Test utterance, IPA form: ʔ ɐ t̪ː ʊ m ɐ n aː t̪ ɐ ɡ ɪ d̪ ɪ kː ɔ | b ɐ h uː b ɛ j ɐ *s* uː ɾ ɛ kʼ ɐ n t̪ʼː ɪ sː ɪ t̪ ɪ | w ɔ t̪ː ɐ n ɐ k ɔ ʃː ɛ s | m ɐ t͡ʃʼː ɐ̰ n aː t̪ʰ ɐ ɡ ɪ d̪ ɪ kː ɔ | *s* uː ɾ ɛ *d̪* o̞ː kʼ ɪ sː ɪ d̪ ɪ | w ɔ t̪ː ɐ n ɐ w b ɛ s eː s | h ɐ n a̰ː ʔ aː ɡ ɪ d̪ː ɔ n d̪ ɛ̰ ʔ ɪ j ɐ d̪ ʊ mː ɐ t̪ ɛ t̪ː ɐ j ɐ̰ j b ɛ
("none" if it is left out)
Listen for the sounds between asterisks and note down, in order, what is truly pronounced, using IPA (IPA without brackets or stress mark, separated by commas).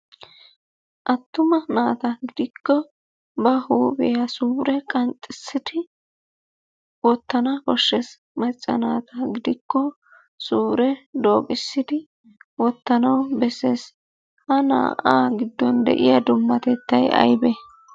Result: s, s, d̪